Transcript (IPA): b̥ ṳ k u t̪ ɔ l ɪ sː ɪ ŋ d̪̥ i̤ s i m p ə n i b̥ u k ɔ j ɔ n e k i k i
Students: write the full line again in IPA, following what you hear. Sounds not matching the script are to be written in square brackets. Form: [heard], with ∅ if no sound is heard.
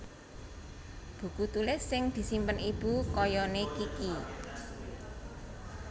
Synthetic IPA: b̥ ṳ k u t̪ [u] l ɪ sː ɪ ŋ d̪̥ i̤ s i m p ə n i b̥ u k ɔ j ɔ n e k i k i